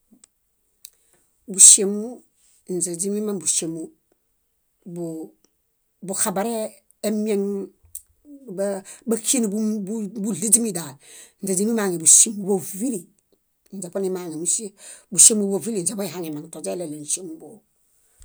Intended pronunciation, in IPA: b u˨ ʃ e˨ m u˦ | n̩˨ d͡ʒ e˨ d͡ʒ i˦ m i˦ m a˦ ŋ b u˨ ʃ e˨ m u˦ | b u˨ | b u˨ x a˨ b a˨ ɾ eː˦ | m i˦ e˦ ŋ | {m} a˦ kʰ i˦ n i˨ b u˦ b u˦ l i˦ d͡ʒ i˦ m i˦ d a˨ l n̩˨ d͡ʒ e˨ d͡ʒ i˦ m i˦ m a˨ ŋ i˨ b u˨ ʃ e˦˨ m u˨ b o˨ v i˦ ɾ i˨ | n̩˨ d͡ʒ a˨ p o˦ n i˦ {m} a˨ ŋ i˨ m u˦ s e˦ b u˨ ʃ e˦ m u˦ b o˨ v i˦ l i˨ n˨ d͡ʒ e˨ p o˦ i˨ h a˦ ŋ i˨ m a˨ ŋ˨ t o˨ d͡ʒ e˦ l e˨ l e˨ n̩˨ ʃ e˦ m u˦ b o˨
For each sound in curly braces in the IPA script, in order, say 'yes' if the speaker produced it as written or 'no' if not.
no, yes

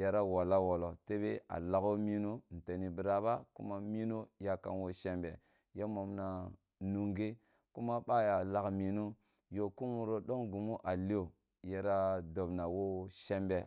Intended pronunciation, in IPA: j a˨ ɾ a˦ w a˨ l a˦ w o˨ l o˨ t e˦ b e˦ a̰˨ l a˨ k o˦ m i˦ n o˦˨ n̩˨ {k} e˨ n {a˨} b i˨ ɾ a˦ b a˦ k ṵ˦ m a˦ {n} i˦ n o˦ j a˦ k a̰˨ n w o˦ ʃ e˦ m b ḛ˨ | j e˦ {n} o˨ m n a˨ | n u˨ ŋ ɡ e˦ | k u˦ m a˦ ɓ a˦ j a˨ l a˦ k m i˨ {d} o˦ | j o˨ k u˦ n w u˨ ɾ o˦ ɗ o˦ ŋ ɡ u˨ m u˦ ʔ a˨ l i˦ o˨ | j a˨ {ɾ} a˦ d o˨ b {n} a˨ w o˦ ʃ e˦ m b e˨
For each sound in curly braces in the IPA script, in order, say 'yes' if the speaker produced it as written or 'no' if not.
no, no, no, no, no, yes, yes

